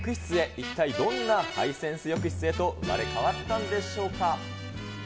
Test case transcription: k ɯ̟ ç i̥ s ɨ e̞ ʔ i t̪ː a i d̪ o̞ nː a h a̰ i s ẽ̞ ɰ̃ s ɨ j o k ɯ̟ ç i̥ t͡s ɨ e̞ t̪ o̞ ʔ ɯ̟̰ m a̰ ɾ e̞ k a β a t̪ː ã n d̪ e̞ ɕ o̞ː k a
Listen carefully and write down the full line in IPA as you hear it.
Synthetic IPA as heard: k ɯ̟ ç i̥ t͡s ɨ e̞ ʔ i t̪ː a i d̪ õ̞ nː a h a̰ i s ẽ̞ ɰ̃ s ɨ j o k ɯ̟ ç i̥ t͡s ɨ e̞ t̪ o̞ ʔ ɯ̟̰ m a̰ ɾ e̞ k a β a t̪ː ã n d̪ e̞ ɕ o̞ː k a